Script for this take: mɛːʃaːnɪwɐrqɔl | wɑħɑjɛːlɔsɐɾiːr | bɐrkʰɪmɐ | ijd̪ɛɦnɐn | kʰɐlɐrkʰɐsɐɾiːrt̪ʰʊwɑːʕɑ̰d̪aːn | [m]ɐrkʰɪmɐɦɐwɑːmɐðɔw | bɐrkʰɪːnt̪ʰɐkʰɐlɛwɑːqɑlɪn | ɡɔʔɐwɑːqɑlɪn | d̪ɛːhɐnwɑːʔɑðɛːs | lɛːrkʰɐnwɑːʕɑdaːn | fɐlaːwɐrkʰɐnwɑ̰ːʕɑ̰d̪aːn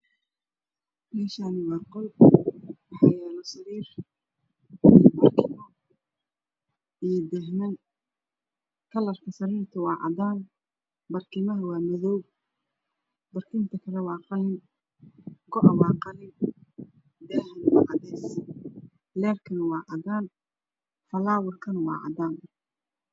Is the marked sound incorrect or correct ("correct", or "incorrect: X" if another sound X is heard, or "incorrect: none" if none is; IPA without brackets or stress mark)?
incorrect: b